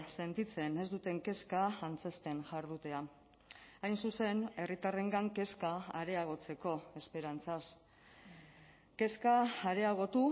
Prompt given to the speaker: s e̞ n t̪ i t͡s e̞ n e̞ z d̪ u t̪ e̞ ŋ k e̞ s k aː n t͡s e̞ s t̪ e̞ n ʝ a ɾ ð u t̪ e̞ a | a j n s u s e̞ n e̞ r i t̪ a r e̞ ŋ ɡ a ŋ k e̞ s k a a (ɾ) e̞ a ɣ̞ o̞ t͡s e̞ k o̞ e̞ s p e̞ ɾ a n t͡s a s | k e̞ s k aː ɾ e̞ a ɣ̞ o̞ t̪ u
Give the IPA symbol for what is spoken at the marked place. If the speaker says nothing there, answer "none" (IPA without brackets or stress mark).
ɾ